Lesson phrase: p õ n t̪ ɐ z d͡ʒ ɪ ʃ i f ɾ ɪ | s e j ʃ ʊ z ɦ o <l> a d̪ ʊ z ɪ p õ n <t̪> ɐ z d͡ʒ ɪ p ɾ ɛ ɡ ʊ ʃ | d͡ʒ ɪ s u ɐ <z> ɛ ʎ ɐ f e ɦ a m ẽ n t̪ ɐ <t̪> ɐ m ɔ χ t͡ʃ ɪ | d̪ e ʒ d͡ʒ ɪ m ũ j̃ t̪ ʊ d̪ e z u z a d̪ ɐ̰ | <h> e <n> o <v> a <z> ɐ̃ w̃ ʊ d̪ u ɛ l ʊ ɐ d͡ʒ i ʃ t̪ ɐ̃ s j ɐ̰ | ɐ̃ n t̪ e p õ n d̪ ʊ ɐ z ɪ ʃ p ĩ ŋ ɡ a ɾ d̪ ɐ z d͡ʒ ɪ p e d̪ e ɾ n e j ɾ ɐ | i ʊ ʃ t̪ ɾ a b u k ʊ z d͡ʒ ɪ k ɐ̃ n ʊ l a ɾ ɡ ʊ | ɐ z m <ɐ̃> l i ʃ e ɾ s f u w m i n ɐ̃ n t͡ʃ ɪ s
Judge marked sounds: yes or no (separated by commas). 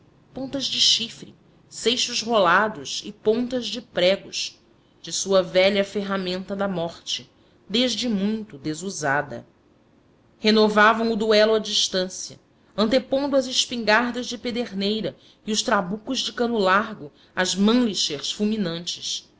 yes, yes, no, no, yes, yes, yes, no, yes